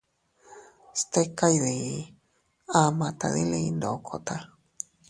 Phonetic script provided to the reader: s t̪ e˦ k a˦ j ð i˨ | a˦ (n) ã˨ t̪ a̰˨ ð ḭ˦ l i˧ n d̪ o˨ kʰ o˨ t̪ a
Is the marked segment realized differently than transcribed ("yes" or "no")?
yes